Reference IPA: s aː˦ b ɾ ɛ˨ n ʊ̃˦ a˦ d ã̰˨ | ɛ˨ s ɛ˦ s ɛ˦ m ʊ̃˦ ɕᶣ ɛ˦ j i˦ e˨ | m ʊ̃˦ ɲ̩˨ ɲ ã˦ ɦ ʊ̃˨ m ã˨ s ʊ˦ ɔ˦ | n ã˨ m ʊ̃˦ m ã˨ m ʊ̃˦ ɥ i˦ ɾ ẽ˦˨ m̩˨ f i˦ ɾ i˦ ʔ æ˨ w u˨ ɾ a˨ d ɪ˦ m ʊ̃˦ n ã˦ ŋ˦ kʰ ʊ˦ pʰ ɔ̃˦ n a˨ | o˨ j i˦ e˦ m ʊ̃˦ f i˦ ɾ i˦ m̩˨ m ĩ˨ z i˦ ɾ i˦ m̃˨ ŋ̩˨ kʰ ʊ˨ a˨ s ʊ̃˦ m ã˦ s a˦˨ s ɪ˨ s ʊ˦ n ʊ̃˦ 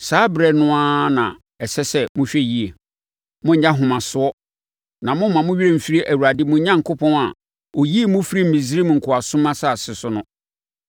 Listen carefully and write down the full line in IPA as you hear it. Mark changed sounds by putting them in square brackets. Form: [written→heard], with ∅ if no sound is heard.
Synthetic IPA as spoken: s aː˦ b ɾ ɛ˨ n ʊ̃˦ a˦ [d→n] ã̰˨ | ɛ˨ s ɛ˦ s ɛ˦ m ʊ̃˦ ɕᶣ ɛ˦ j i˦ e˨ | m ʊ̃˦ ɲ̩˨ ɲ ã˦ ɦ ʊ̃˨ m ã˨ s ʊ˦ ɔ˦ | n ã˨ m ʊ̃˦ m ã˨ m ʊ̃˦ ɥ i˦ ɾ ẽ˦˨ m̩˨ f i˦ ɾ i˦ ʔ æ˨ w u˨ ɾ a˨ d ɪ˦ m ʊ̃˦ [n→ɲ] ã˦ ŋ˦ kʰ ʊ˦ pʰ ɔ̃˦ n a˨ | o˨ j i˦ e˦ m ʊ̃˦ f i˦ ɾ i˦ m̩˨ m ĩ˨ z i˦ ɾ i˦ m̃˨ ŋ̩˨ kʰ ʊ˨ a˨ s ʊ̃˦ m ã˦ s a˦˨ s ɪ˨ s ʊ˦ n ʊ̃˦

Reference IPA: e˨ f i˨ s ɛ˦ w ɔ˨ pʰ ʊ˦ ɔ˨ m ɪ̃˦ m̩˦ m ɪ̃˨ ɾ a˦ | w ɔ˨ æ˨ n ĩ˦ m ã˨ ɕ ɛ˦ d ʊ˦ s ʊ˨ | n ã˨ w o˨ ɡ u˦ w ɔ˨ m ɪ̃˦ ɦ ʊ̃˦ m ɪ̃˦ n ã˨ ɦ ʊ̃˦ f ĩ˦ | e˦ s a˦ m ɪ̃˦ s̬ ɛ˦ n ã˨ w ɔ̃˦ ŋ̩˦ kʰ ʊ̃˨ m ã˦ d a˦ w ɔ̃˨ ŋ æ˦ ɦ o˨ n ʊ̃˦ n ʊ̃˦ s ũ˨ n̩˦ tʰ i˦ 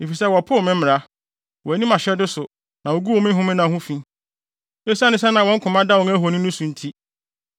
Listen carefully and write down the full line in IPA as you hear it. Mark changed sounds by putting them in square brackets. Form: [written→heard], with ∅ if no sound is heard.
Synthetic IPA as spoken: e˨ f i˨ s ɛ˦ w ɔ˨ pʰ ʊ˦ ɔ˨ m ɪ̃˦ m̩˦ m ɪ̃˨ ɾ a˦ | w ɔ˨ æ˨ n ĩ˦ m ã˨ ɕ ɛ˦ d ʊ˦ s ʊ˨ | n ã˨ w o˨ ɡ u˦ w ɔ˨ m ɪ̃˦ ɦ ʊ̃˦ m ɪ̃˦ n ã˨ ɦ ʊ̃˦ f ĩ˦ | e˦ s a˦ [m→n] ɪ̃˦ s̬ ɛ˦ n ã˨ w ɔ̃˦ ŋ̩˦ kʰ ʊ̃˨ m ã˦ d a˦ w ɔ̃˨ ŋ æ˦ ɦ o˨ n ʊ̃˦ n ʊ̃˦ s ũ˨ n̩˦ tʰ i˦

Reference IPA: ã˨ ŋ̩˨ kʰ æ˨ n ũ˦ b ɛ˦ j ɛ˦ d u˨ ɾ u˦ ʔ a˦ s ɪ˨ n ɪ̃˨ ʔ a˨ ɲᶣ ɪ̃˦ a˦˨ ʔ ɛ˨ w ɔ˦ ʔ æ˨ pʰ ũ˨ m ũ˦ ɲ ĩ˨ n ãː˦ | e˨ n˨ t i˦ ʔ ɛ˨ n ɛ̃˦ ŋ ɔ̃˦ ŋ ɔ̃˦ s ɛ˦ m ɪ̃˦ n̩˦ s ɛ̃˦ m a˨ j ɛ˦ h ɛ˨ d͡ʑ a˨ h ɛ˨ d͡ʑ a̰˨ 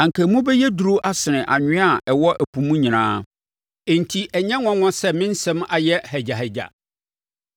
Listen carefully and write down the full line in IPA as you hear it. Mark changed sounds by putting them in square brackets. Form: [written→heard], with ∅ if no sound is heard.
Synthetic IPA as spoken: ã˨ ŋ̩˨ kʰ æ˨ [n→m] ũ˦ b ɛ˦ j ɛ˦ d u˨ ɾ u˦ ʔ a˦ s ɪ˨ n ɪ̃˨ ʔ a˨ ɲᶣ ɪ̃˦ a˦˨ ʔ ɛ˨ w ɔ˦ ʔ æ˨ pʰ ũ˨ m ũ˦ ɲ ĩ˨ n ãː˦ | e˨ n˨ [t→tʰ] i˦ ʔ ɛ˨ [n→ɲ] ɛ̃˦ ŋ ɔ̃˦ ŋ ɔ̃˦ s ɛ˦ m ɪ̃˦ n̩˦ s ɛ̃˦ m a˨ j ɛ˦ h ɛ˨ d͡ʑ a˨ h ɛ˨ d͡ʑ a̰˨

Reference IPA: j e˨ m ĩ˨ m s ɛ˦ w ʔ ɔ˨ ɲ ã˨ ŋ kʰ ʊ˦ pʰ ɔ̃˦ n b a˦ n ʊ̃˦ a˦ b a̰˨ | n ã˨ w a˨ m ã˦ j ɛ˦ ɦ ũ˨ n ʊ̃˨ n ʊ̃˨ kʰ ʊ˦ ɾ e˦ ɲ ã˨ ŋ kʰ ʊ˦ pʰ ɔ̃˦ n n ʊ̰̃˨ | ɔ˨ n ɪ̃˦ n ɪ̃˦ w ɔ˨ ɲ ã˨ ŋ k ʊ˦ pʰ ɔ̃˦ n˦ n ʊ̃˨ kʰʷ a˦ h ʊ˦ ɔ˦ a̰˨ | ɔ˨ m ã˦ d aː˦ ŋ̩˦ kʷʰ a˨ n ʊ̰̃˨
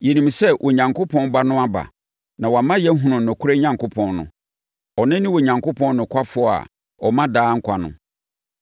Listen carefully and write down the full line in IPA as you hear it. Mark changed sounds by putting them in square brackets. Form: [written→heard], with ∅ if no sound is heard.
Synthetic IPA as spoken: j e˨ [m→n] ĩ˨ m s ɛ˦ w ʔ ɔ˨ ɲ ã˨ ŋ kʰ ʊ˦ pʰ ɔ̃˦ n b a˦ n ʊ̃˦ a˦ b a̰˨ | n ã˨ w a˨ m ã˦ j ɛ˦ ɦ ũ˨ n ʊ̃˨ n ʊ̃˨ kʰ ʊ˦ ɾ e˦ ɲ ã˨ ŋ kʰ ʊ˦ pʰ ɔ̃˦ n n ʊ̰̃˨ | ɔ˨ n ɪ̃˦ n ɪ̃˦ w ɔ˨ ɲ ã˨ ŋ k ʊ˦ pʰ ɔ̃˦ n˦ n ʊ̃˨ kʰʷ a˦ [h→f] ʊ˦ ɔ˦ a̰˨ | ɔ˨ m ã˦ d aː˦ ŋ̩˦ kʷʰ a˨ n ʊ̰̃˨

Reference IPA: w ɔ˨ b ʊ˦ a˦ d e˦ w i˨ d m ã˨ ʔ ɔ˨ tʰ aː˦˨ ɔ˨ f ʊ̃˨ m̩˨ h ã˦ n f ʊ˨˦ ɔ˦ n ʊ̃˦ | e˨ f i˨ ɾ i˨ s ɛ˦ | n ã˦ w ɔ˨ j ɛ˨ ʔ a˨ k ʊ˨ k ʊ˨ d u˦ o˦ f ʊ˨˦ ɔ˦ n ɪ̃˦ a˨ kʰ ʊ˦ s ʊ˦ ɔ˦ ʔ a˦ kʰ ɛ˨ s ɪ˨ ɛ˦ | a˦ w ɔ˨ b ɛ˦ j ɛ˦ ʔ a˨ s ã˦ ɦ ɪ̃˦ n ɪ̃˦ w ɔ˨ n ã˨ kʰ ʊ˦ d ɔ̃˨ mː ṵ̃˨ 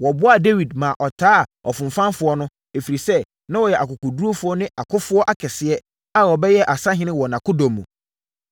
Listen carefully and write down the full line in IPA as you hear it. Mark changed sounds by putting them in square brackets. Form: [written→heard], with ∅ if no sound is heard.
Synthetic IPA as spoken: w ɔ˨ b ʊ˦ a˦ d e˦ w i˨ d m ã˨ ʔ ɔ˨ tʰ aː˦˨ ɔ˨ f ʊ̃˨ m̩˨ [h→f] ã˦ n f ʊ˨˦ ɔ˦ n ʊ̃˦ | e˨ f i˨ ɾ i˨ s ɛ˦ | n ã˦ w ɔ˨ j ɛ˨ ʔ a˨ k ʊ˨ k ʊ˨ d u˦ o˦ f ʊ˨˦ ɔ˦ n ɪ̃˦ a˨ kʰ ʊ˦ [s→f] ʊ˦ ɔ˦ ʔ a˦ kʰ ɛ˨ s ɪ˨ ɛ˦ | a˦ w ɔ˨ b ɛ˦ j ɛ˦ ʔ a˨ s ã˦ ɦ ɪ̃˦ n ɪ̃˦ w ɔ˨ n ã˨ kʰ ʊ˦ d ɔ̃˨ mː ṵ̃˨

